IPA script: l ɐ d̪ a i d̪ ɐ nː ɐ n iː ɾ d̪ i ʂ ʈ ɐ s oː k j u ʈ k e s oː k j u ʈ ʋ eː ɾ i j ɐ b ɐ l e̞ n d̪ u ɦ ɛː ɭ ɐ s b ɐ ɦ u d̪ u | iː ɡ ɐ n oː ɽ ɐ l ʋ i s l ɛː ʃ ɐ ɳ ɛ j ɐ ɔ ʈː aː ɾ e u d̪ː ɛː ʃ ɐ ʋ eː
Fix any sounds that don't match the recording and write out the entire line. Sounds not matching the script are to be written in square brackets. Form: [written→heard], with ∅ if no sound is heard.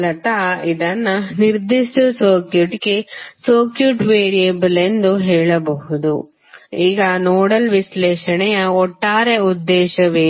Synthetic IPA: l ɐ [d̪→t̪] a i d̪ ɐ nː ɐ n [iː→i] ɾ d̪ i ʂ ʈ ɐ s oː k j u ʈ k e s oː k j u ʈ ʋ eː ɾ i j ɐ b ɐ l e̞ n d̪ u ɦ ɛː ɭ ɐ [s→∅] b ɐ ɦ u d̪ u | iː ɡ ɐ n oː ɽ ɐ l ʋ i s l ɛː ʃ ɐ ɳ ɛ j ɐ ɔ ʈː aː ɾ e u d̪ː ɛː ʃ ɐ ʋ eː

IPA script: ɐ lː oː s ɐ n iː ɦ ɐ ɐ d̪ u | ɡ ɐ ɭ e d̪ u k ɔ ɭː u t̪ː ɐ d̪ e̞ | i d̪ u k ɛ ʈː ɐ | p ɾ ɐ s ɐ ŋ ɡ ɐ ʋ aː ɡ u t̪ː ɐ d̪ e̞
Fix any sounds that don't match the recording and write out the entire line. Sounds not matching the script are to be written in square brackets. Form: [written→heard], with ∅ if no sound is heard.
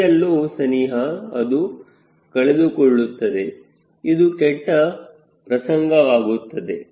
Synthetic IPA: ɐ lː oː s ɐ n iː ɦ ɐ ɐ d̪ u | [ɡ→k] ɐ ɭ e d̪ u k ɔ ɭː u t̪ː ɐ d̪ e̞ | i d̪ u k ɛ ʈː ɐ | p ɾ ɐ s ɐ ŋ ɡ ɐ ʋ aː ɡ u t̪ː ɐ d̪ e̞

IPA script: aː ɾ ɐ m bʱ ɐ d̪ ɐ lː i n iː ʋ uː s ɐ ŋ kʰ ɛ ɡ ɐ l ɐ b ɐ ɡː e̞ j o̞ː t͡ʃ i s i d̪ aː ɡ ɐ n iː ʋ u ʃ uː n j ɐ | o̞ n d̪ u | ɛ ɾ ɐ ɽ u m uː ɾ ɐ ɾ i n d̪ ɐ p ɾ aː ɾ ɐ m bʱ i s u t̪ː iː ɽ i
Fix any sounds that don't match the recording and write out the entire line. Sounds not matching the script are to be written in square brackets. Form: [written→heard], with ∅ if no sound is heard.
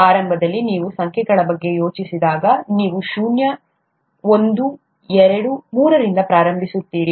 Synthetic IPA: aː ɾ ɐ m bʱ ɐ d̪ ɐ lː i n iː ʋ [uː→u] s ɐ ŋ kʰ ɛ ɡ ɐ [l→ɭ] ɐ b ɐ ɡː e̞ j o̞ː t͡ʃ i s i d̪ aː ɡ ɐ n iː ʋ u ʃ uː n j ɐ | o̞ n d̪ u | ɛ ɾ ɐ ɽ u m uː ɾ ɐ ɾ i n d̪ ɐ p ɾ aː ɾ ɐ m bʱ i s u t̪ː iː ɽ i

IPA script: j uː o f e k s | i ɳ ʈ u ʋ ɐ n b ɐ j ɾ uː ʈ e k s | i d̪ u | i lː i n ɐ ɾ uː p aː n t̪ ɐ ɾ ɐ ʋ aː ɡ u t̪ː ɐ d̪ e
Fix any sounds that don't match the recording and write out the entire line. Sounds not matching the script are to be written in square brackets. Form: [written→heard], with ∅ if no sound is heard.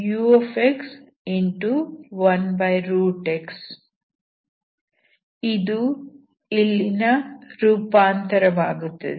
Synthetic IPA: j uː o f e k s | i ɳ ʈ u ʋ ɐ n b ɐ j ɾ uː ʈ e k s | i d̪ u | i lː i n ɐ ɾ uː p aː n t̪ ɐ ɾ ɐ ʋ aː ɡ u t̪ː ɐ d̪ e

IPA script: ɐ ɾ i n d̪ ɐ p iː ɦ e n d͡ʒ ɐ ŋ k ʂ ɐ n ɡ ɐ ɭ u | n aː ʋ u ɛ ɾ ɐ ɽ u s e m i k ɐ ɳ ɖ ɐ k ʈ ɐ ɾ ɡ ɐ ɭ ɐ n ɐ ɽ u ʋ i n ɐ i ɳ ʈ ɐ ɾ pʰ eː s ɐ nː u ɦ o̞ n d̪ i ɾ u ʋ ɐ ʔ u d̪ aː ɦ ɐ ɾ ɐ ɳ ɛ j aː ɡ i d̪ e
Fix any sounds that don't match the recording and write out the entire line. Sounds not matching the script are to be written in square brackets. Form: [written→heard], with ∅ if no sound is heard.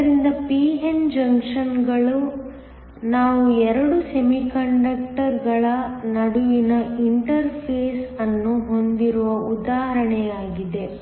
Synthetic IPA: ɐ ɾ i n d̪ ɐ p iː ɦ e n d͡ʒ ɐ ŋ k ʂ ɐ n ɡ ɐ ɭ u | n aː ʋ u ɛ ɾ ɐ ɽ u s e m i k ɐ ɳ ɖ ɐ k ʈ ɐ ɾ ɡ ɐ ɭ ɐ n ɐ ɽ u ʋ i n ɐ i ɳ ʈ ɐ ɾ pʰ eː s ɐ nː u ɦ o̞ n d̪ i ɾ u ʋ ɐ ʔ u d̪ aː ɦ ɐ ɾ ɐ ɳ ɛ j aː ɡ i d̪ e

